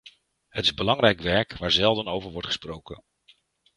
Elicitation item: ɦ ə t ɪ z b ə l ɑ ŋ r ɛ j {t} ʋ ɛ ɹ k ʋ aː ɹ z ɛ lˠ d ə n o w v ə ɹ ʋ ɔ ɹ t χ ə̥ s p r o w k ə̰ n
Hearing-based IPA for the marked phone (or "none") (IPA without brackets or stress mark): k